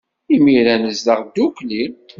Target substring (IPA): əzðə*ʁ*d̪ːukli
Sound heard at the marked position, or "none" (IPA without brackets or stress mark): ʁ